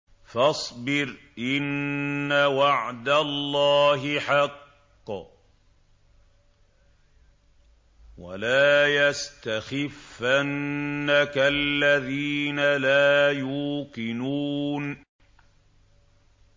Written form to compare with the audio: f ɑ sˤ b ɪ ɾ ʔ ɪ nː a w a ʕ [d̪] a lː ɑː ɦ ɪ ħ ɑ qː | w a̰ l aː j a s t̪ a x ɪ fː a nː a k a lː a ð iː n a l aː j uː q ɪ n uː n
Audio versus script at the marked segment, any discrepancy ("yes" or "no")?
no